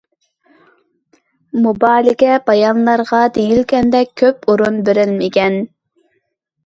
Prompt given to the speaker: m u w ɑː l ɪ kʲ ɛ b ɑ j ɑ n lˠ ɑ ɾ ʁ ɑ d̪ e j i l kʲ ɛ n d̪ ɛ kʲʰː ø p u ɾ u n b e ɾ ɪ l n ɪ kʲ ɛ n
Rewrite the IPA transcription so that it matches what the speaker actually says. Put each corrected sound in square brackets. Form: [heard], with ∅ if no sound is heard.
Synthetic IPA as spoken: m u [b] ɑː l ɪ kʲ ɛ b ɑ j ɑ n lˠ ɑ ɾ ʁ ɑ d̪ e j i l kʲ ɛ n d̪ ɛ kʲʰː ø p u ɾ u n b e ɾ ɪ l [m] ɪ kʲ ɛ n